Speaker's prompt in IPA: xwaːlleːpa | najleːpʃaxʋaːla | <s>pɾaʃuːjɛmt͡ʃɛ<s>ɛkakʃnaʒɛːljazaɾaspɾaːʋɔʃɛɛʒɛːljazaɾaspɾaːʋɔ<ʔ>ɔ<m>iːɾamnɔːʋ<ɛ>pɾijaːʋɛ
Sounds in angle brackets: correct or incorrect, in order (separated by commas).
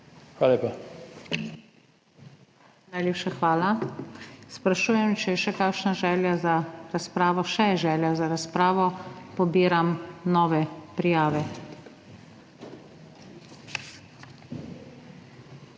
correct, incorrect, incorrect, incorrect, correct